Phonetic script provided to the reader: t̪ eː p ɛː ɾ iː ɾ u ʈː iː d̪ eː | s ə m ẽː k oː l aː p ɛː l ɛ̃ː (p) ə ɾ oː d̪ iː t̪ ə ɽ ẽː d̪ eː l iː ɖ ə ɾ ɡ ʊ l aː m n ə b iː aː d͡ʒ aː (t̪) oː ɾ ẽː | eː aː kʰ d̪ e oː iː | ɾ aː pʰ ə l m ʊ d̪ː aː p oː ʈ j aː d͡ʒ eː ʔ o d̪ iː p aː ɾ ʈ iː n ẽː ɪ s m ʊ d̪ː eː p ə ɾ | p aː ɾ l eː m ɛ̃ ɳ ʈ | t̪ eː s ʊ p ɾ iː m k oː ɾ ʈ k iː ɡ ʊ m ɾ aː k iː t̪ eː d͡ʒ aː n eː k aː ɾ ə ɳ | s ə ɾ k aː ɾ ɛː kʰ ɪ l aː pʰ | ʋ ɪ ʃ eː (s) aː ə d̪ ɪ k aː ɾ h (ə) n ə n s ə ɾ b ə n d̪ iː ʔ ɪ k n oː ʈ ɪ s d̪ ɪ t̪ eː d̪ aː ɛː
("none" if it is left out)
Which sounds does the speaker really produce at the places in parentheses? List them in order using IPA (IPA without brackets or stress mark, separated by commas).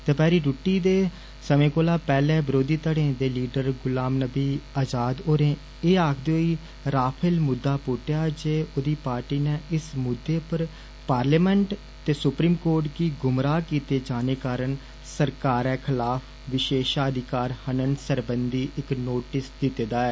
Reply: b, d̪, ʃ, ə